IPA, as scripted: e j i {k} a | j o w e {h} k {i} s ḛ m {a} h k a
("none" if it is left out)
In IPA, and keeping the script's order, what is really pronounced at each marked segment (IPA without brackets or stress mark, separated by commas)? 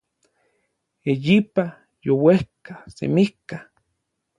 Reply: p, h, a, i